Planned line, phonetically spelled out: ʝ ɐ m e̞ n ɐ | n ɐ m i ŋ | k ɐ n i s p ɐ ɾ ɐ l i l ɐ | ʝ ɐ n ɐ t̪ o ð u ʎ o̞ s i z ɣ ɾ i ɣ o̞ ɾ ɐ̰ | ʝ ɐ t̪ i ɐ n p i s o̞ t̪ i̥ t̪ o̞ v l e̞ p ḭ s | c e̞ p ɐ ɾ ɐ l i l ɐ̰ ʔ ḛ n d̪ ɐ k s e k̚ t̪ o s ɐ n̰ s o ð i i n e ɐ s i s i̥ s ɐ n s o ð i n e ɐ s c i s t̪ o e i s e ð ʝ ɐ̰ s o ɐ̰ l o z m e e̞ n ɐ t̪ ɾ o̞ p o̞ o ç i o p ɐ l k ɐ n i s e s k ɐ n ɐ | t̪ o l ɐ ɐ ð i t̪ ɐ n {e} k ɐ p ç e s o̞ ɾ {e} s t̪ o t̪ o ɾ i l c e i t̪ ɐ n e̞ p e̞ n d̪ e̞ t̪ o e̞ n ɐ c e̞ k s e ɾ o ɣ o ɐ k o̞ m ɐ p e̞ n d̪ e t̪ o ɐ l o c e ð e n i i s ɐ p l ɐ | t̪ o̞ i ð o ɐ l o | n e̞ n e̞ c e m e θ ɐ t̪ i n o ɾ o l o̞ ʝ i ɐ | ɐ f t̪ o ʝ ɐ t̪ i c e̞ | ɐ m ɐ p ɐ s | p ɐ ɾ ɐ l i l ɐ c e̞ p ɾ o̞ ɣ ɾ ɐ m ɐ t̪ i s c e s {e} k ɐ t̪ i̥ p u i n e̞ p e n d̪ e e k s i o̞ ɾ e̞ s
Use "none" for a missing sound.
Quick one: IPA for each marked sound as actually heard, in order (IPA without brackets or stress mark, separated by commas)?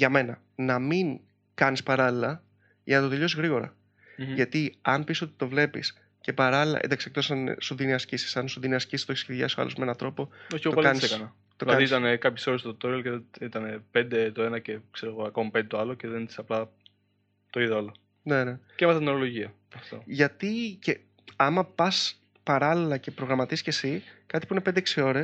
e, e, i